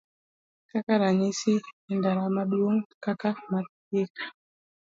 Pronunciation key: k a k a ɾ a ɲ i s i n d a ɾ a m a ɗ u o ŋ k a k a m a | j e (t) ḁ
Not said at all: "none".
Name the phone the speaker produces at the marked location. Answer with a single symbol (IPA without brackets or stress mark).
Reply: k